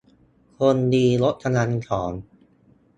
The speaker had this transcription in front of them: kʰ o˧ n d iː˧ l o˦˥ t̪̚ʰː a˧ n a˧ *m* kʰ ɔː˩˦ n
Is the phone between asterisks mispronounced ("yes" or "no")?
yes